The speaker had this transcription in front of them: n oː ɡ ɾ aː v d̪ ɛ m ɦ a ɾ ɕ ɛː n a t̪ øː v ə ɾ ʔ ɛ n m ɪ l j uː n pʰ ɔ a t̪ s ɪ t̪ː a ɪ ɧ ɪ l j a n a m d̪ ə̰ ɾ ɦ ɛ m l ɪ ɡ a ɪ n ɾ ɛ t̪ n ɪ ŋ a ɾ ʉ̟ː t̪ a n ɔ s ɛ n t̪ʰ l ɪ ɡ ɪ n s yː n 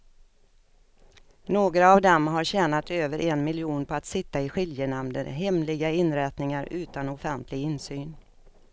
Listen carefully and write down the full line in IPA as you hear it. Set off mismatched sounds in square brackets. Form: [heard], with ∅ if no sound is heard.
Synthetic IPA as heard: n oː ɡ ɾ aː v d̪ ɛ m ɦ a ɾ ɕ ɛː n a t̪ øː v ə ɾ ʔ ɛ n m ɪ l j uː n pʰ ɔ a t̪ s ɪ t̪ː a ɪ ɧ ɪ l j [ə] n a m d̪ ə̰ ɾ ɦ ɛ m l ɪ ɡ a ɪ n ɾ ɛ t̪ n ɪ ŋ a ɾ ʉ̟ː t̪ a n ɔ [f] ɛ n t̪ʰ l ɪ ɡ ɪ n s yː n